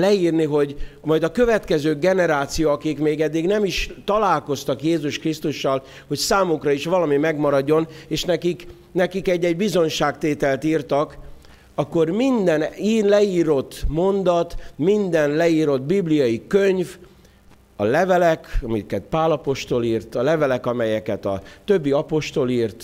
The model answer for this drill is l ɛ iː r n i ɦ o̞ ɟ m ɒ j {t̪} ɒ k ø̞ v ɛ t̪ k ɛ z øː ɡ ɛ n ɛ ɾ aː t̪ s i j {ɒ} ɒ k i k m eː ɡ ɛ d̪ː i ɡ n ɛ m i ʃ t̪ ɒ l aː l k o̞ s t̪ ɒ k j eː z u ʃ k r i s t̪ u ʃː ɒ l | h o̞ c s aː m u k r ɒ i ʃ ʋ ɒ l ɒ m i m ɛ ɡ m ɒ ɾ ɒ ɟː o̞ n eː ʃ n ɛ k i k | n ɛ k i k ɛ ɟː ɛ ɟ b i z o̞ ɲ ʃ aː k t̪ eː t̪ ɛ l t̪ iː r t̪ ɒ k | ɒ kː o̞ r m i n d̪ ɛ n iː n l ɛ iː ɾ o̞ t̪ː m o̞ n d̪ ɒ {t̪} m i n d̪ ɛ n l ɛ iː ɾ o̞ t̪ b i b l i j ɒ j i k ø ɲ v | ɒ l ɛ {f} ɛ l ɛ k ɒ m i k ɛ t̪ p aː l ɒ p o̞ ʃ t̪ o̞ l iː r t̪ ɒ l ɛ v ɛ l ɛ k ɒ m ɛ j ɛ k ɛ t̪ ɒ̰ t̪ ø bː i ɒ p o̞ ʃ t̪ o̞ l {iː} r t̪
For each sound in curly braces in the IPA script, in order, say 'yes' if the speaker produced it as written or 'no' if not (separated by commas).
no, no, yes, no, yes